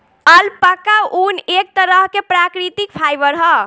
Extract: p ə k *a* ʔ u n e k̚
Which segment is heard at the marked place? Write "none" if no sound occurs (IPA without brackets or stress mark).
a